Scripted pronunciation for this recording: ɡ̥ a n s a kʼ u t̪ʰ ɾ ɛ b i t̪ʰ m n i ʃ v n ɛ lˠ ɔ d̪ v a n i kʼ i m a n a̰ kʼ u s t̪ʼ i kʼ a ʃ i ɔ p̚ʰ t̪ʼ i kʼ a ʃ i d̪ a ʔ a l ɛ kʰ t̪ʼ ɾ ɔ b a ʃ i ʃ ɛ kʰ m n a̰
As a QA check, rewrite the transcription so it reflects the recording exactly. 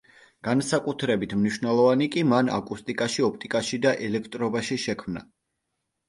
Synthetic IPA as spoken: ɡ̥ a n s a kʼ u t̪ʰ ɾ ɛ b i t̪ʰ m n i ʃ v n ɛ lˠ ɔ v a n i kʼ i m a n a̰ kʼ u s t̪ʼ i kʼ a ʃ i ɔ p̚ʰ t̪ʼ i kʼ a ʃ i d̪ a ʔ ɛ l ɛ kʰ t̪ʼ ɾ ɔ b a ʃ i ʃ ɛ kʰ m n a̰